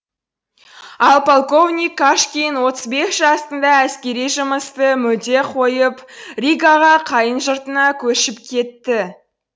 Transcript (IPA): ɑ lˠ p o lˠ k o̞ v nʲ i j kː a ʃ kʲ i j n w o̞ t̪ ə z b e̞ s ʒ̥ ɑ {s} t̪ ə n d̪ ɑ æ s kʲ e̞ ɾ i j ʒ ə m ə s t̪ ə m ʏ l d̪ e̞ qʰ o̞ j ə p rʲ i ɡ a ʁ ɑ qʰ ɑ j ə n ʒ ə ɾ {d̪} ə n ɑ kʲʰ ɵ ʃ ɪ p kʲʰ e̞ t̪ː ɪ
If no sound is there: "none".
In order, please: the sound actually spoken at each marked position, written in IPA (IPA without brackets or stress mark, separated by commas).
s, t̪